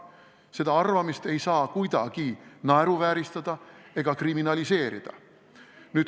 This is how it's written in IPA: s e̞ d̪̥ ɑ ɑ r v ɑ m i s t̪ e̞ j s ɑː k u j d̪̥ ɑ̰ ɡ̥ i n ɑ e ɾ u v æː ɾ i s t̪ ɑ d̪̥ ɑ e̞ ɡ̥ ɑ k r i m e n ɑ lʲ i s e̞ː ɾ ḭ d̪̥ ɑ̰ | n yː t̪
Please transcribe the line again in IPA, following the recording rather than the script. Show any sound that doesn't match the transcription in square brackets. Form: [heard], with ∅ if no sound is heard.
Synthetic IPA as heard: s e̞ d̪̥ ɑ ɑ r v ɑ m i s t̪ e̞ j s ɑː k u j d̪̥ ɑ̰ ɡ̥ i n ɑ e ɾ u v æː ɾ i s t̪ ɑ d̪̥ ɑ e̞ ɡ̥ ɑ k r i m [i] n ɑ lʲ i s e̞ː ɾ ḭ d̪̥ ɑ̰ | n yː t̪